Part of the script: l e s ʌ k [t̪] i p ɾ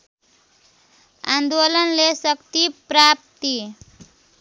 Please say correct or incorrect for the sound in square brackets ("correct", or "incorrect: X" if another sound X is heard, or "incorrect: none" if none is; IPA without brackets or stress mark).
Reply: correct